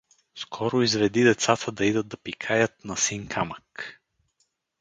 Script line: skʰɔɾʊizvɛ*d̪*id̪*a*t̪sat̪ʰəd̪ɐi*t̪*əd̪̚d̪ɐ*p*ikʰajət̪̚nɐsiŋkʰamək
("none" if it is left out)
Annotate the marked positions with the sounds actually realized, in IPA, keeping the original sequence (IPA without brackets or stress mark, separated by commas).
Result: d̪, ɛ, d̪, p